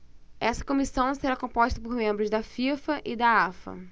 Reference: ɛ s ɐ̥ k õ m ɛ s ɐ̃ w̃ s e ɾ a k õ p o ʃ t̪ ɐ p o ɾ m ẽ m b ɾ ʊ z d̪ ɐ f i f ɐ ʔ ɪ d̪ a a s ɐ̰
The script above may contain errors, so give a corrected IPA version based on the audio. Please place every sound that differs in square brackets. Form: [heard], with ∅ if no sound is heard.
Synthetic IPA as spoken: ɛ s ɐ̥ k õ m [i] s ɐ̃ w̃ s e ɾ a k õ p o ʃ t̪ ɐ p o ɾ m ẽ m b ɾ ʊ z d̪ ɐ f i f ɐ ʔ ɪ d̪ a a [f] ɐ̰